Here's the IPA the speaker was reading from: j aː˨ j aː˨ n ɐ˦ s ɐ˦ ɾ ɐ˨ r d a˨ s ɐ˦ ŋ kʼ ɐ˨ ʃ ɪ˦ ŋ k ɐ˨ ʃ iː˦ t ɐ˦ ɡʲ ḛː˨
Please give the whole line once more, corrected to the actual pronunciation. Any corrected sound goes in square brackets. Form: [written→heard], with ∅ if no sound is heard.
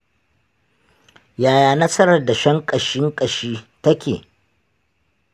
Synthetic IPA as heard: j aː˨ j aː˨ n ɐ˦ s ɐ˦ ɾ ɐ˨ r d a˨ [s→ʃ] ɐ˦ ŋ kʼ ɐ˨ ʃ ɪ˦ ŋ [k→kʼ] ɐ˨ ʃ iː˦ t ɐ˦ [ɡʲ→kʲ] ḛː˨